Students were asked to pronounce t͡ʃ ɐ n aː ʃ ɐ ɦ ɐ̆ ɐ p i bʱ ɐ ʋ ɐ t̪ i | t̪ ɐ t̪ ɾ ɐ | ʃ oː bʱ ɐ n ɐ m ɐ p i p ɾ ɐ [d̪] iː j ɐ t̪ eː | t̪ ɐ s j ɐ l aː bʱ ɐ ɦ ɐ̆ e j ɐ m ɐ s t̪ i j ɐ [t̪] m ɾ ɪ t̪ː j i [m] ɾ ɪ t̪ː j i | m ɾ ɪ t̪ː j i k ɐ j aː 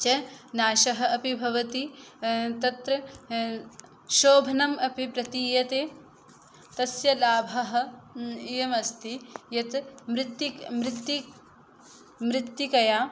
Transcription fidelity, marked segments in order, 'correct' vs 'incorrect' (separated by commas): incorrect, correct, correct